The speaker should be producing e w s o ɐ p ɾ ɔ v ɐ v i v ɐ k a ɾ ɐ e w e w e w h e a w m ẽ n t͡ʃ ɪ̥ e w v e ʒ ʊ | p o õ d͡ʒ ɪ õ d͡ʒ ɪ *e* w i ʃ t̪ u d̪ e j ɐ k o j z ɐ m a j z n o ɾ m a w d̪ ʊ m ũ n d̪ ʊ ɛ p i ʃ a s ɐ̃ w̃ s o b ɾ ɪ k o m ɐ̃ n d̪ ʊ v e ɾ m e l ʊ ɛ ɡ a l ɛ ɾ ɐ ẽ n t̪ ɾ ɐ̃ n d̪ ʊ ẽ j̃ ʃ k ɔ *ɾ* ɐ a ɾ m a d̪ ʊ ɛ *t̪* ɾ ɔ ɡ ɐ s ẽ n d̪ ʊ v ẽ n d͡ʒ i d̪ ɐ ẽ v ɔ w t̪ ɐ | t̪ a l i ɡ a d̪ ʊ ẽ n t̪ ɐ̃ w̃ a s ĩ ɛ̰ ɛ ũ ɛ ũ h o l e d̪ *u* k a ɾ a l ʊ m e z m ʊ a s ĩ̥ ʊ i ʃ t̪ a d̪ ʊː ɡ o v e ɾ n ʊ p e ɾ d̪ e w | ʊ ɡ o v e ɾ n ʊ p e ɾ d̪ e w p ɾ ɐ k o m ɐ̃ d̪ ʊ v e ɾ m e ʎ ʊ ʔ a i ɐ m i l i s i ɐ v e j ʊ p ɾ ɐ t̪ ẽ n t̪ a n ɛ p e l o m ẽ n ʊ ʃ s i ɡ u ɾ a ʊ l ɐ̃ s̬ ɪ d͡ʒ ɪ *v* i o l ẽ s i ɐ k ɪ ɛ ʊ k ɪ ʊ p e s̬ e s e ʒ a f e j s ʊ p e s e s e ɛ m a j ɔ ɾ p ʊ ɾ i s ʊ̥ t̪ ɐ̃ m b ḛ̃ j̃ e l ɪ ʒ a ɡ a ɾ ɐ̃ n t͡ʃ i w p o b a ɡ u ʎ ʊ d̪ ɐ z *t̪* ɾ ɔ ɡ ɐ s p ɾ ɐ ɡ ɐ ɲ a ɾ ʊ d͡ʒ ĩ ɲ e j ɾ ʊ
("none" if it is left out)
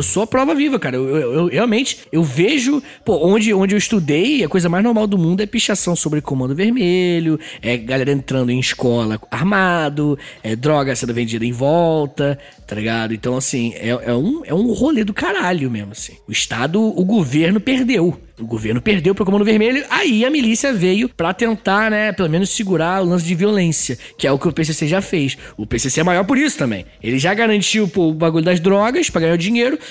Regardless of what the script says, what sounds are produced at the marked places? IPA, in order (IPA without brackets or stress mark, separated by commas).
e, l, d̪, ʊ, v, d̪